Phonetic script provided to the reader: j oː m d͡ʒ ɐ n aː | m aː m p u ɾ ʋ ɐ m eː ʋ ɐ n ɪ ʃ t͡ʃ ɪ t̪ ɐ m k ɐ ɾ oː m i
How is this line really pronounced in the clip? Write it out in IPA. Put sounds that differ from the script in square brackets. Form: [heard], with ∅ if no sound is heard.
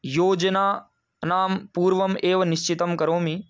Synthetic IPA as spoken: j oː [∅] d͡ʒ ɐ n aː | [n] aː m p [uː] ɾ ʋ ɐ m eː ʋ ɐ n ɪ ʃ t͡ʃ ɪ t̪ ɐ m k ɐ ɾ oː m i